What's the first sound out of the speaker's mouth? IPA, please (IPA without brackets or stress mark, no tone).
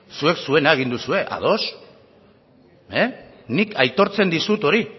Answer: s